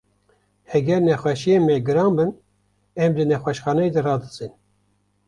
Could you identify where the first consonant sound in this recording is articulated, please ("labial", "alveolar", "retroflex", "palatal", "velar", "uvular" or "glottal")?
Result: glottal